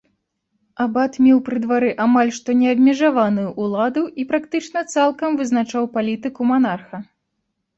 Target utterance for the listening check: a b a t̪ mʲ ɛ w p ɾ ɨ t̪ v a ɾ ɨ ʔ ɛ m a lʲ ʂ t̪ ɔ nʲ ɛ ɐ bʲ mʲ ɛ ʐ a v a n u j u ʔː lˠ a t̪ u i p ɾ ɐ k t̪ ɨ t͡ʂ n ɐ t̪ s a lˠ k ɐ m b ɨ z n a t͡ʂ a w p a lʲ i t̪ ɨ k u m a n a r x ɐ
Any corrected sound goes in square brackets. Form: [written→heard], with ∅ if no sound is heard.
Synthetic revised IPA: a b a t̪ mʲ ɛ w p ɾ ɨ [t̪→d̪] v a ɾ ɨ ʔ [ɛ→a] m a lʲ ʂ t̪ ɔ nʲ ɛ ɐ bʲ mʲ ɛ ʐ a v a n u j u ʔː lˠ a [t̪→d̪] u i p ɾ [ɐ→a] k t̪ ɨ t͡ʂ n ɐ t̪ s a lˠ k ɐ m [b→v] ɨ z n a t͡ʂ a w p a lʲ i t̪ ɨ k u m a n a r x ɐ